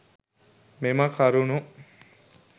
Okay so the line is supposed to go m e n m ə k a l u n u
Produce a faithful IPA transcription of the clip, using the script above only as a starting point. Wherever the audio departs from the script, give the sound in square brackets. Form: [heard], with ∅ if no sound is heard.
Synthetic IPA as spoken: m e [∅] m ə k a [ɾ] u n u

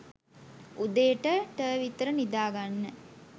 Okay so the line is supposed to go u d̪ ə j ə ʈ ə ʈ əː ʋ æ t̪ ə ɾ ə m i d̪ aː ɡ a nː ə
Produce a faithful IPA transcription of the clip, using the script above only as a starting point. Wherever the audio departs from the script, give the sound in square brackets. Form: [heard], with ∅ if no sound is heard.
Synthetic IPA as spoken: u d̪ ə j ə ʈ ə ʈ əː ʋ [i] t̪ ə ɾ ə [n] i d̪ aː ɡ a nː ə

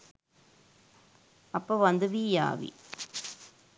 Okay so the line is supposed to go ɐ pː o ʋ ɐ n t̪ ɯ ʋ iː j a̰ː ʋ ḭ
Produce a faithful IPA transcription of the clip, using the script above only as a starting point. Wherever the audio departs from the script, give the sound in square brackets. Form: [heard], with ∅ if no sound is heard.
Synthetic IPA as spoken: ɐ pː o ʋ ɐ n [d̪] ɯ ʋ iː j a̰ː ʋ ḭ

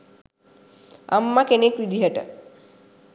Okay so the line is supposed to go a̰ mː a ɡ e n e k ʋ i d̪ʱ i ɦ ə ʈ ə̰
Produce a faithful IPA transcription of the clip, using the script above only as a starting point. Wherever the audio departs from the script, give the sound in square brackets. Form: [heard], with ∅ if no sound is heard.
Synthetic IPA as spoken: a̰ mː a [k] e n e k ʋ i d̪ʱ i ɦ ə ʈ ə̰

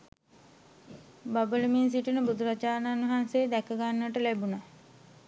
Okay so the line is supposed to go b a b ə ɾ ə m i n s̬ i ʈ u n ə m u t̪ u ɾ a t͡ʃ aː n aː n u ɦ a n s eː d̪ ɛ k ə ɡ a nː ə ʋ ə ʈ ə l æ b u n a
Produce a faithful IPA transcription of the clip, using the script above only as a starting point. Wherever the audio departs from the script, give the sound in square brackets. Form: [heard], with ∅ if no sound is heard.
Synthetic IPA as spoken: b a b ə [l] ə m i n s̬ i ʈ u n ə [b] u [d̪] u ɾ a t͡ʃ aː n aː n u ɦ a n s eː d̪ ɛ k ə ɡ a nː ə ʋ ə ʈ ə l æ b u n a

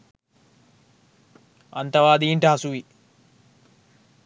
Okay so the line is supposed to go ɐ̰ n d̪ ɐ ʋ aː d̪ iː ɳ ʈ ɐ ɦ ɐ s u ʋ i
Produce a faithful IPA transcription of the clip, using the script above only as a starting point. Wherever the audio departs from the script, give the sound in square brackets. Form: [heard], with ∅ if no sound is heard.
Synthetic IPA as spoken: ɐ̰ n [t̪] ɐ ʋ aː d̪ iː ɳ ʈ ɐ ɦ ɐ s u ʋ i

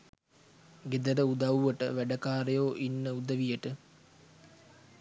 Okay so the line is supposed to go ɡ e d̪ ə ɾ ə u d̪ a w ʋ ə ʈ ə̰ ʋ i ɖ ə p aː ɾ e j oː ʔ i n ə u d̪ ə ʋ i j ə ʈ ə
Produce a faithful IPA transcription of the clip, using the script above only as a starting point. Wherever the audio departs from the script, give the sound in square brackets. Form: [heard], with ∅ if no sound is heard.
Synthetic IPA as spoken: ɡ e d̪ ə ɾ ə u d̪ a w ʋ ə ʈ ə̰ ʋ [æ] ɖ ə [k] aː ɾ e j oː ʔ i [nː] ə u d̪ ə ʋ i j ə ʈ ə

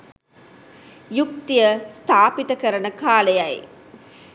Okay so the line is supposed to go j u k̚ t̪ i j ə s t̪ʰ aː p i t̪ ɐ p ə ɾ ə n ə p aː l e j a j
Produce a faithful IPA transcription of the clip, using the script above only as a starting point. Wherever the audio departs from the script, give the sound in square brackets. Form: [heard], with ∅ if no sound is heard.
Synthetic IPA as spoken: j u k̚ t̪ i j ə s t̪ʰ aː p i t̪ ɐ [k] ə ɾ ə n ə [k] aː l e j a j

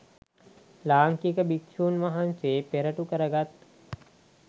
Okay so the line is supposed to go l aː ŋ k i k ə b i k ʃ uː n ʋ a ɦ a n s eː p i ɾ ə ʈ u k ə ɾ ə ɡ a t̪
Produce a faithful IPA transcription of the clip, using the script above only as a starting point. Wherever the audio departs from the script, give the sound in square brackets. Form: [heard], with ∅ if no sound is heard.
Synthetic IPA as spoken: l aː ŋ k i k ə b i k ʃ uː n ʋ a ɦ a n s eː p [e] ɾ ə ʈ u k ə ɾ ə ɡ a t̪

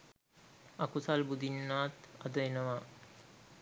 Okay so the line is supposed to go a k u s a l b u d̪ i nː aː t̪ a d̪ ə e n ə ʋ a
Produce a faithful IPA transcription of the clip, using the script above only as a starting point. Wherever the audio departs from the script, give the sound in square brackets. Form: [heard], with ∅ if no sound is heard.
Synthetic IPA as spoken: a k u s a l b u d̪ i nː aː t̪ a d̪ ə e n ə ʋ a

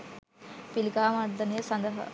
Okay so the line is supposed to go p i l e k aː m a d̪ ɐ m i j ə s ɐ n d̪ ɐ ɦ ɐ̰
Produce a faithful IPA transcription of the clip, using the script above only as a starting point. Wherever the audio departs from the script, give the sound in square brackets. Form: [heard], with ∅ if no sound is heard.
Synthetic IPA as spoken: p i l [i] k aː m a d̪ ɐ [n] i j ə s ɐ n d̪ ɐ ɦ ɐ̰

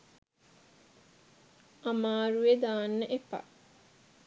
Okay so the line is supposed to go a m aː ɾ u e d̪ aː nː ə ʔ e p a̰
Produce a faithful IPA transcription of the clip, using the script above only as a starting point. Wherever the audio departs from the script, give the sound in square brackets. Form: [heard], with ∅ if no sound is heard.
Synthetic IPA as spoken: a m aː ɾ u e d̪ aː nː ə ʔ e p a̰

